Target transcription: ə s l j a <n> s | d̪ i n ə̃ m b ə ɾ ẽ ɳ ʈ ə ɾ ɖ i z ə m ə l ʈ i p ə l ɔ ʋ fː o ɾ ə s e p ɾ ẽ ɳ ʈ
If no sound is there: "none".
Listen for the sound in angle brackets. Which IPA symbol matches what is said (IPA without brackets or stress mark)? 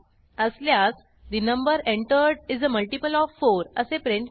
none